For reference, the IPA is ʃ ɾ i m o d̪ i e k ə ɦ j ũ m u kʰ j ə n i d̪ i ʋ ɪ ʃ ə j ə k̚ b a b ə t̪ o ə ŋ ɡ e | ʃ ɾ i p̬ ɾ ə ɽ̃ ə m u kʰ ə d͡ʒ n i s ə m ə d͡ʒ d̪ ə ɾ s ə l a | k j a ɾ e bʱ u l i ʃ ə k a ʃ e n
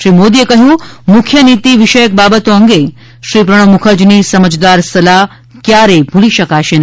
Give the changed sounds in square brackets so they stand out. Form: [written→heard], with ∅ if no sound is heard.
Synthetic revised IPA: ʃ ɾ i m o d̪ i e k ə ɦ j ũ m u kʰ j ə n i [d̪→t̪] i ʋ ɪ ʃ ə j ə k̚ b a b ə t̪ o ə ŋ ɡ e | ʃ ɾ i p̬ ɾ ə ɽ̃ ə m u kʰ ə d͡ʒ n i s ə m ə d͡ʒ d̪ [ə→a] ɾ s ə l a | k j a ɾ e bʱ u l i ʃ ə k a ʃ e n